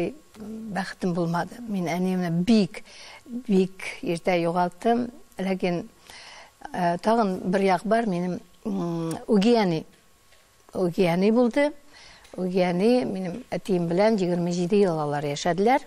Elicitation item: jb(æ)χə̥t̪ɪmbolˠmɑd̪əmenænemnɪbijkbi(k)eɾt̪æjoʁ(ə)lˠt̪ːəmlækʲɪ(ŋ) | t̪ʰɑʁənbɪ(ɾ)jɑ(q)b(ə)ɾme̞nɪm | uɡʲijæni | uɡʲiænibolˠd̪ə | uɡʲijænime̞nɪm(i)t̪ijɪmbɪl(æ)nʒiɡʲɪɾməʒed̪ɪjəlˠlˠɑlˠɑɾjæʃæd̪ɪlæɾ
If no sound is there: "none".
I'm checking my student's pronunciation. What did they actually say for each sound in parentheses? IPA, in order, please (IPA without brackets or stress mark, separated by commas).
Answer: æ, k, ɑ, n, ɾ, q, ɑ, æ, æ